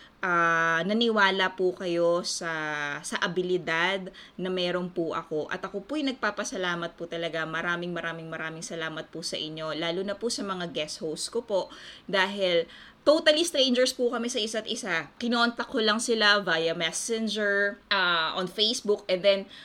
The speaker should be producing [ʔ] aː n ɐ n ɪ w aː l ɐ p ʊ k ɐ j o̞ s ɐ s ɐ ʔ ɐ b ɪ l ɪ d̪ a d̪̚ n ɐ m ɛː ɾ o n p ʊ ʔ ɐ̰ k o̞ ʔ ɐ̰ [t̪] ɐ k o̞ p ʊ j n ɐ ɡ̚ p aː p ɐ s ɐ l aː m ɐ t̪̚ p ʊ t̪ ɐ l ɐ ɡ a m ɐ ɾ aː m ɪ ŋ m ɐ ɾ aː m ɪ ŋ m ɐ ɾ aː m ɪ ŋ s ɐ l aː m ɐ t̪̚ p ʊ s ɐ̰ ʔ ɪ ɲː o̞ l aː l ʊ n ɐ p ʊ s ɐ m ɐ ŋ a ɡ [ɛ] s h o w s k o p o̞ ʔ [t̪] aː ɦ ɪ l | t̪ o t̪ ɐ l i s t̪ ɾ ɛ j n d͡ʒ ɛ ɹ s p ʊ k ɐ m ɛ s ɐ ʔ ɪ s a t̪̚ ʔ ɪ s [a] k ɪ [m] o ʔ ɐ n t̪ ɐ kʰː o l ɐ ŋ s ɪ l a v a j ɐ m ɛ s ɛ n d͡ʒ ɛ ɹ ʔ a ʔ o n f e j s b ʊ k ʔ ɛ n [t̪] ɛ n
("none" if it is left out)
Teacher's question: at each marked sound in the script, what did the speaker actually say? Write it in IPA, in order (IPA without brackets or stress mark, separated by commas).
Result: ʔ, t̪, ɛ, d̪, a, n, d̪